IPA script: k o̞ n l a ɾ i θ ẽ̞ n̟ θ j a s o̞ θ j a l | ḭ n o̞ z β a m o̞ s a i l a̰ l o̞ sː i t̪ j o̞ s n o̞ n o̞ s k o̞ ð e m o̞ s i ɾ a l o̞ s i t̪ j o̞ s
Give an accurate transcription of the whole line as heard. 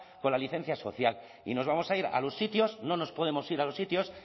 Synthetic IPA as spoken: k o̞ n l a l i θ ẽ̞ n̟ θ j a s o̞ θ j a l | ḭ n o̞ z β a m o̞ s a i ɾ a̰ l o̞ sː i t̪ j o̞ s n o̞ n o̞ s p o̞ ð e m o̞ s i ɾ a l o̞ s i t̪ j o̞ s